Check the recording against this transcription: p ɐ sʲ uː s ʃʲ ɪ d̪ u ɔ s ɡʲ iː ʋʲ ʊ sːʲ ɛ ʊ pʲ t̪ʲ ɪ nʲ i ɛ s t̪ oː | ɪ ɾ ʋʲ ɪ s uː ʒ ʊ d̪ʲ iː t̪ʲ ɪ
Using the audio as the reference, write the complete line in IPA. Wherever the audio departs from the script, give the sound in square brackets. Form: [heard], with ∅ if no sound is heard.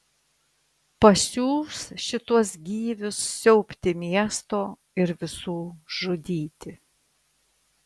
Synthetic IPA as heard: p ɐ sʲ uː s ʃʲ ɪ [t̪] u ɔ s ɡʲ iː ʋʲ ʊ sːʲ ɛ ʊ pʲ t̪ʲ ɪ [mʲ] i ɛ s t̪ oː | ɪ ɾ ʋʲ ɪ s uː ʒ ʊ d̪ʲ iː t̪ʲ ɪ

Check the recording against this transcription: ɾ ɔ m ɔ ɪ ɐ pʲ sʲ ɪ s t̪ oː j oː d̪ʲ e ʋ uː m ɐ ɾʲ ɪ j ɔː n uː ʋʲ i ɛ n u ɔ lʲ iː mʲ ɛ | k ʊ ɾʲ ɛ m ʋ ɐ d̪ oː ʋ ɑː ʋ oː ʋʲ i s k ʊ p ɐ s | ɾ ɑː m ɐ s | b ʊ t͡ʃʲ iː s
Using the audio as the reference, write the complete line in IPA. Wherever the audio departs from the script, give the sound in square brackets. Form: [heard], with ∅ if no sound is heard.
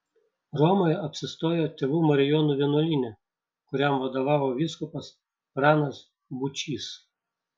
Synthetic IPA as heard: ɾ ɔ m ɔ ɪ ɐ pʲ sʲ ɪ s t̪ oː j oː [t̪ʲ] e ʋ uː m ɐ ɾʲ ɪ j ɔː n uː ʋʲ i ɛ n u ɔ lʲ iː [nʲ] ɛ | k ʊ ɾʲ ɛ m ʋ ɐ d̪ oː ʋ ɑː ʋ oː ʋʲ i s k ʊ p ɐ s | ɾ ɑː [n] ɐ s | b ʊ t͡ʃʲ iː s

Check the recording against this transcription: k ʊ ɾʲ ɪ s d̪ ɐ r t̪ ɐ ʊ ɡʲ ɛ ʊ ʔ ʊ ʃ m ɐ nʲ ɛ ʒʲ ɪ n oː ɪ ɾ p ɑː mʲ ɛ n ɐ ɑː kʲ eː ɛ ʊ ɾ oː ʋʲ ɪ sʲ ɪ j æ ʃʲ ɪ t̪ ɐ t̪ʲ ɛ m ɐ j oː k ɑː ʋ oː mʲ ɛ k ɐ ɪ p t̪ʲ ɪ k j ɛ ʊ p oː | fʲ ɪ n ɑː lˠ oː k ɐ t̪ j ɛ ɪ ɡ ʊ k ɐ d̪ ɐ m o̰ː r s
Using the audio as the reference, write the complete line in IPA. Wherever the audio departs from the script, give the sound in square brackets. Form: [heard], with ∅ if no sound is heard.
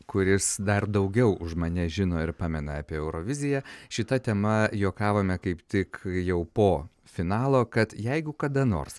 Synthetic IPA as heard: k ʊ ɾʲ ɪ s d̪ ɐ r [d̪] ɐ ʊ ɡʲ ɛ ʊ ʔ ʊ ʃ m ɐ nʲ ɛ ʒʲ ɪ n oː ɪ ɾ p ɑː mʲ ɛ n ɐ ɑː [pʲ] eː ɛ ʊ ɾ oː ʋʲ ɪ [zʲ] ɪ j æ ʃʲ ɪ t̪ ɐ t̪ʲ ɛ m ɐ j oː k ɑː ʋ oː mʲ ɛ k ɐ ɪ p t̪ʲ ɪ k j ɛ ʊ p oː | fʲ ɪ n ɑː lˠ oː k ɐ t̪ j ɛ ɪ ɡ ʊ k ɐ d̪ ɐ [n] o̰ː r s

